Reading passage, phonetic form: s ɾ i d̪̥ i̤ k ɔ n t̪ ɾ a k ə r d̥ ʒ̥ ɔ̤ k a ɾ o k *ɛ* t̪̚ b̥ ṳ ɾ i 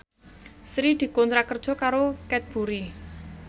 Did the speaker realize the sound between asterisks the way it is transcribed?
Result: yes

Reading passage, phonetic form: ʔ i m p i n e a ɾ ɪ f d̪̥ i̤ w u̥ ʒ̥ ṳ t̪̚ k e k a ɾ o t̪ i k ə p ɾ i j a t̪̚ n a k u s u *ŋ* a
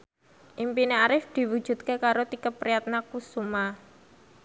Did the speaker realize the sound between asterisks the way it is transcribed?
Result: no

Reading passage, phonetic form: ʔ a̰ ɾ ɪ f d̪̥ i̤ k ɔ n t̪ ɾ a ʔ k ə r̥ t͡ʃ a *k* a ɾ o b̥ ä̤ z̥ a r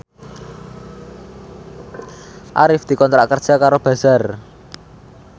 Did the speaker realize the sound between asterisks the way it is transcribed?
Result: yes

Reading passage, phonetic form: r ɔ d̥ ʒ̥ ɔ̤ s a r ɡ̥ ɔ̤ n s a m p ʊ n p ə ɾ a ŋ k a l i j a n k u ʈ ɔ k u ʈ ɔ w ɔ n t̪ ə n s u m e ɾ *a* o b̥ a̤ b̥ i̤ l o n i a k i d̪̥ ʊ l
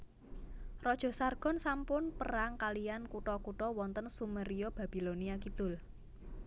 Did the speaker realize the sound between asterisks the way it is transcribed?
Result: no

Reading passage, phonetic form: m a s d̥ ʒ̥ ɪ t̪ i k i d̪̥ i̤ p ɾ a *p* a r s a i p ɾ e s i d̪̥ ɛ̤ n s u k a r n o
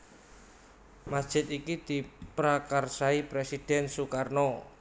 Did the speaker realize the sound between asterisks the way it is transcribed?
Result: no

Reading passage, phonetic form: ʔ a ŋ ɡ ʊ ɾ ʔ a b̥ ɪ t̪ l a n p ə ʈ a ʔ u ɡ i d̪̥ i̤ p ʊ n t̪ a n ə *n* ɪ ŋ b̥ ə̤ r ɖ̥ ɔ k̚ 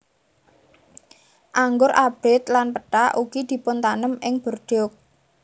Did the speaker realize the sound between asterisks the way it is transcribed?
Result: no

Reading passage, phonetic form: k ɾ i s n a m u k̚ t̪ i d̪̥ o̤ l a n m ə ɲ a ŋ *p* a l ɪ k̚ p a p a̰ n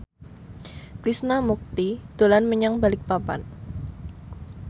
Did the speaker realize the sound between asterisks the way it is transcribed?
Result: no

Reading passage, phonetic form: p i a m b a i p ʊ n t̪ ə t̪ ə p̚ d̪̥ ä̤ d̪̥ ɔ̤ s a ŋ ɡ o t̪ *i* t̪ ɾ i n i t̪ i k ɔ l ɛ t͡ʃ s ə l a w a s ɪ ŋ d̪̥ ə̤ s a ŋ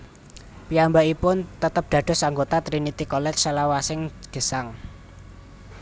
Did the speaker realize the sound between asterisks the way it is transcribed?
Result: no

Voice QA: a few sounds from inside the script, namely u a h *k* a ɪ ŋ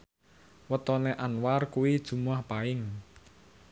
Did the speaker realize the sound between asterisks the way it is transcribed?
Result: no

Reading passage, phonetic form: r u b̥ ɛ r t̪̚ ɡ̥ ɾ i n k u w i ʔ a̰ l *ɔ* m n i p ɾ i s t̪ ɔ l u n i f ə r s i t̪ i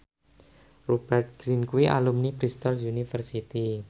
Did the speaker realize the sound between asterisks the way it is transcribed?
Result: no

